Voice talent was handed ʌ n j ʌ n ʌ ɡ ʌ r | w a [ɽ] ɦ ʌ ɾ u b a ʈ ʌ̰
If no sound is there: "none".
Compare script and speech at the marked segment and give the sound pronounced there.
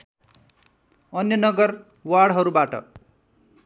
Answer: ɽ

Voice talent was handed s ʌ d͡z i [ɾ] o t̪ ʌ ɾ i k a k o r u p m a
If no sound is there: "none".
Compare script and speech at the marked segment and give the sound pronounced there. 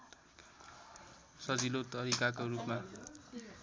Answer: l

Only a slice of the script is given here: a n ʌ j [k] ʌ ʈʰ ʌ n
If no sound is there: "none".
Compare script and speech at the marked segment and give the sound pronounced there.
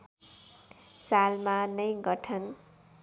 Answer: ɡ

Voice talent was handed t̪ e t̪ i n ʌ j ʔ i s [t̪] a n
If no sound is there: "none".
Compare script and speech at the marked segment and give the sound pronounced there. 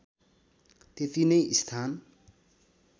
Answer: t̪ʰ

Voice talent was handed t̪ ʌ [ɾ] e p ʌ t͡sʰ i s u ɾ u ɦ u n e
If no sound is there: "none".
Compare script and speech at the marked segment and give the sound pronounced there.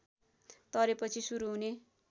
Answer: ɾ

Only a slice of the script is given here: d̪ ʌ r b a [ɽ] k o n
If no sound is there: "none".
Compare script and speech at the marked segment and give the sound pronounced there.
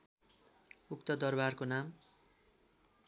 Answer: r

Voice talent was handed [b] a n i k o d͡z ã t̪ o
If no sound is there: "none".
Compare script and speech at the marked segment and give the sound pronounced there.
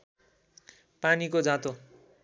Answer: p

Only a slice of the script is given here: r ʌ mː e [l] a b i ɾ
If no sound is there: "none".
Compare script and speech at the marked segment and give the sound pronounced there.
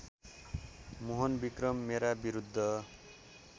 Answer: ɾ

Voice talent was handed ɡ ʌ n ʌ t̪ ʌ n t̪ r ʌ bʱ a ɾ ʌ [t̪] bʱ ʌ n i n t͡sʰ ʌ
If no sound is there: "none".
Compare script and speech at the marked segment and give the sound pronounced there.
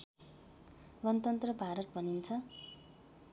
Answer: t̪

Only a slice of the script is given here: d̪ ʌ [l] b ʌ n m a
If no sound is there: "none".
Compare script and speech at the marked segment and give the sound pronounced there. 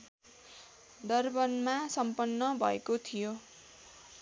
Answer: r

